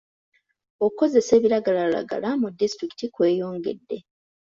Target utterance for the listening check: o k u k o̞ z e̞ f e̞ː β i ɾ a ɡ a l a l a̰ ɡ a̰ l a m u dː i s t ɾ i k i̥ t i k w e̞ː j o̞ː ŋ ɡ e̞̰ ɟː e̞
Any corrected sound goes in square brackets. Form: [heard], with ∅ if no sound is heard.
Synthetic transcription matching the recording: o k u k o̞ z e̞ [s] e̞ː β i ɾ a ɡ a l a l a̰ ɡ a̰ l a m u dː i s t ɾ i k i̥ t i k w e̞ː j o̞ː ŋ ɡ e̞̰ [dː] e̞